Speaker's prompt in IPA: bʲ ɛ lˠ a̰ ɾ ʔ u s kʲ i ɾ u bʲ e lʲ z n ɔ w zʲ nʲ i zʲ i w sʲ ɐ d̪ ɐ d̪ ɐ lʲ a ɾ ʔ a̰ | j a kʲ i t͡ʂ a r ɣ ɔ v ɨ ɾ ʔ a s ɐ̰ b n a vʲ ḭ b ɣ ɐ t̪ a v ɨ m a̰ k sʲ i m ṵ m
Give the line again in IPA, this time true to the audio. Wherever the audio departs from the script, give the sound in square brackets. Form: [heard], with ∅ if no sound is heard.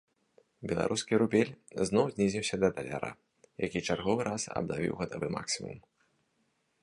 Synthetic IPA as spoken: bʲ ɛ lˠ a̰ ɾ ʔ u s kʲ i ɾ u bʲ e lʲ z n ɔ w zʲ nʲ i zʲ i w sʲ ɐ d̪ ɐ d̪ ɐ lʲ a ɾ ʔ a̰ | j a kʲ i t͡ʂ a r ɣ ɔ v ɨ ɾ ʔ a s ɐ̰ b n a vʲ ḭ [w] ɣ ɐ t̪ a v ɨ m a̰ k sʲ i m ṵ m